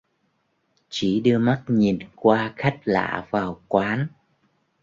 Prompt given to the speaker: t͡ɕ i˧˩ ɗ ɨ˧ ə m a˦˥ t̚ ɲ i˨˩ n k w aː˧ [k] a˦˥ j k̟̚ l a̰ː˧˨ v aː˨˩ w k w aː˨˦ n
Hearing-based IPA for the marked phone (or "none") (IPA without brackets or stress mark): x